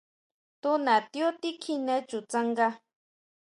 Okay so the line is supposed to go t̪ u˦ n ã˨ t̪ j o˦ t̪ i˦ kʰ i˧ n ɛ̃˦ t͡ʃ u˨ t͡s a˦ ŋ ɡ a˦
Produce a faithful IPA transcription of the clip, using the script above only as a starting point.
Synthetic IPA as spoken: t̪ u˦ n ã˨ t̪ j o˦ t̪ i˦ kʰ i˧ n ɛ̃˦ t͡ʃ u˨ t͡s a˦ ŋ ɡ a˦